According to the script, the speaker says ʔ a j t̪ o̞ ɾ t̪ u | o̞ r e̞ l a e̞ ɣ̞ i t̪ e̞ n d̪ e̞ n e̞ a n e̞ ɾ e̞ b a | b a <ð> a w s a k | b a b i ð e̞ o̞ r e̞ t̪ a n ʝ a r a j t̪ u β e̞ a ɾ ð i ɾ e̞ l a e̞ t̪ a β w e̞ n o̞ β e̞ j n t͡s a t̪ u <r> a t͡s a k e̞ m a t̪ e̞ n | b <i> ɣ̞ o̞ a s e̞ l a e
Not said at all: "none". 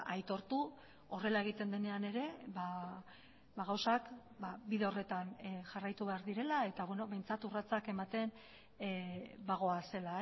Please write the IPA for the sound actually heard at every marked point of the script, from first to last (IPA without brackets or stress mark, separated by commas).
ɣ, r, a